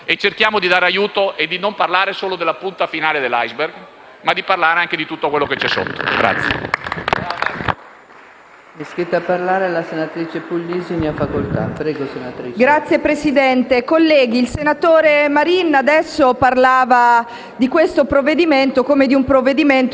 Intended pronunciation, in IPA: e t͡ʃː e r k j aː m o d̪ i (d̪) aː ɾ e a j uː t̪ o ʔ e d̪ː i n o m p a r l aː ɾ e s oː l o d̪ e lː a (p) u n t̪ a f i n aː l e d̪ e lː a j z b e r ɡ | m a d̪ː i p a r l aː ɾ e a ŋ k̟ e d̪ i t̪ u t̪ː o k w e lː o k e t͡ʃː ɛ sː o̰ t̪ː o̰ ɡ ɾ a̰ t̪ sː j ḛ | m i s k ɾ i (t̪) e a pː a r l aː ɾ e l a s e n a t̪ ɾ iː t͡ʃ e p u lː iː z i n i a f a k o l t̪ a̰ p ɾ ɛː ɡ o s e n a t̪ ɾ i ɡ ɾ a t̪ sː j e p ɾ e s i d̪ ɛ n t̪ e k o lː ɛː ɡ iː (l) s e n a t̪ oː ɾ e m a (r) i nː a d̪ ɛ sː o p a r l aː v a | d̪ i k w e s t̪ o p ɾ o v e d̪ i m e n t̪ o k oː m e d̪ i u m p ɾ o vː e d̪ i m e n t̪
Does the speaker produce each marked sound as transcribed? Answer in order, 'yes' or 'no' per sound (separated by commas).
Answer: yes, yes, yes, yes, no